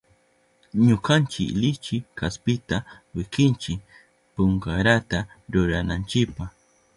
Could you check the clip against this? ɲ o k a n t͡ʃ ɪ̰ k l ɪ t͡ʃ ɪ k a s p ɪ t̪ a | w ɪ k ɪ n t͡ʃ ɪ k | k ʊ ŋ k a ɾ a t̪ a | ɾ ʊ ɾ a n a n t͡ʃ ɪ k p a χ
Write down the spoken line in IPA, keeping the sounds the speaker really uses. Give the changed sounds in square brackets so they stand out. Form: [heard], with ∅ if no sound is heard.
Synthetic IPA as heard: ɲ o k a n t͡ʃ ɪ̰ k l ɪ t͡ʃ ɪ k a s p ɪ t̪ a | w ɪ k ɪ n t͡ʃ ɪ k | [p] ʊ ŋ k a ɾ a t̪ a | ɾ ʊ ɾ a n a n t͡ʃ ɪ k p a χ